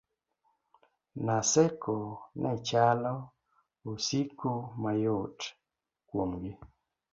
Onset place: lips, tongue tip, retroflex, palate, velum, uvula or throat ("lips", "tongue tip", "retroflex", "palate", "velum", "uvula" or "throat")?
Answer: tongue tip